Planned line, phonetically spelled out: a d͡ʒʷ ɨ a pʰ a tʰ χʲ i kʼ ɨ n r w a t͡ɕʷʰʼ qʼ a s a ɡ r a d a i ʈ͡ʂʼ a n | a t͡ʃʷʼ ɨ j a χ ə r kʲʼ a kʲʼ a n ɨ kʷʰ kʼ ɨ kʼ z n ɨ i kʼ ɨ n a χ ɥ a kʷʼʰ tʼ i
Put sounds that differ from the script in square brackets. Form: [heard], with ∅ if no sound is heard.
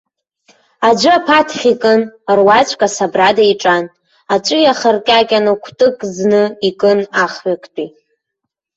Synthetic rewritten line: a d͡ʒʷ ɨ a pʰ a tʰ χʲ i kʼ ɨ n r w a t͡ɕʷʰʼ [kʼ] a s a [b] r a d a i ʈ͡ʂʼ a n | a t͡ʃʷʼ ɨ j a χ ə r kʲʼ a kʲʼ a n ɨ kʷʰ [tʼ] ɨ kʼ z n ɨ i kʼ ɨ n a χ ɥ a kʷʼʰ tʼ i